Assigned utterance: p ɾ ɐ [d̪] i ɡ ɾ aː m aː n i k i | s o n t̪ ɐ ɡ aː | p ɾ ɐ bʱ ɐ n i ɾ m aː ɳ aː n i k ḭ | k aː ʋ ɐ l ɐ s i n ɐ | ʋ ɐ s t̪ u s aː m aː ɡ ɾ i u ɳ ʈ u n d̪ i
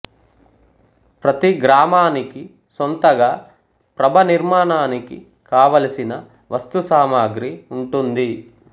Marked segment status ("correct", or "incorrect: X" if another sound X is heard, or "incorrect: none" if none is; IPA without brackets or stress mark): incorrect: t̪